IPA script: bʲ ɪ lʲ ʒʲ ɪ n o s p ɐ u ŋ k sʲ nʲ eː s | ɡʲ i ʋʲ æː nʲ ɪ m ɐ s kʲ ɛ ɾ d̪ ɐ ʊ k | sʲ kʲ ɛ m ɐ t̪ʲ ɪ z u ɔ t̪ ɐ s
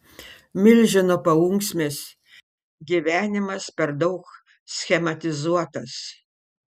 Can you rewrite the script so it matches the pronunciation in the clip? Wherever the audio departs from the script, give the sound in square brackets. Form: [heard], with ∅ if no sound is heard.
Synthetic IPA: [mʲ] ɪ lʲ ʒʲ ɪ n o [∅] p ɐ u ŋ k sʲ [mʲ] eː s | ɡʲ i ʋʲ æː nʲ ɪ m ɐ s [pʲ] ɛ ɾ d̪ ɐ ʊ k | sʲ [xʲ] ɛ m ɐ t̪ʲ ɪ z u ɔ t̪ ɐ s